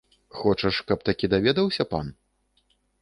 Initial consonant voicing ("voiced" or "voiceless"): voiceless